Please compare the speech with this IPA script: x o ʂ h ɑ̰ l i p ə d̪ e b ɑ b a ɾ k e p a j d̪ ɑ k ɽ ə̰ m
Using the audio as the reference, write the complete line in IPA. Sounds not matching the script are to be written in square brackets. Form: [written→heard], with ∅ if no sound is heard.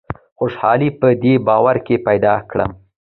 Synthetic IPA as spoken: x o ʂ h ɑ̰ l i p ə d̪ e b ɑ [b→w] a ɾ k e p a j d̪ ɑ k ɽ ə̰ m